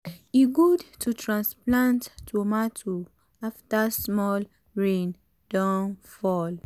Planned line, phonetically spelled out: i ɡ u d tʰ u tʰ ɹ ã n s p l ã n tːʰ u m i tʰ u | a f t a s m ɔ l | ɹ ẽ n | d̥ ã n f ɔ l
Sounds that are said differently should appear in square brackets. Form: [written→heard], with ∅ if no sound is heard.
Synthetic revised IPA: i ɡ u d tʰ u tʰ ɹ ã n s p l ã n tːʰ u m [i→a] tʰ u | a f t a s m ɔ l | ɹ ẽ n | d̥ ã n f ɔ l